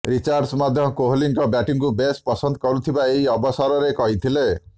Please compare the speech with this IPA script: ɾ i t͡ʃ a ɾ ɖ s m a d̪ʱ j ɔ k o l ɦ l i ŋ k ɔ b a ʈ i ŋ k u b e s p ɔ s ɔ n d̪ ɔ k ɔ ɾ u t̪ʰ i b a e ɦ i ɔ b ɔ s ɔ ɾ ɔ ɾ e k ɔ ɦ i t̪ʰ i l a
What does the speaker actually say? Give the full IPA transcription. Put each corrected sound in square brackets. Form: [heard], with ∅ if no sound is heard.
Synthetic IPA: ɾ i t͡ʃ a ɾ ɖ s m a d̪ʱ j ɔ k o [∅] ɦ l i ŋ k ɔ b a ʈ i ŋ k u b e s p ɔ s ɔ n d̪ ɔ k ɔ ɾ u t̪ʰ i b a e ɦ i ɔ b ɔ s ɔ ɾ ɔ ɾ e k ɔ ɦ i t̪ʰ i l [e]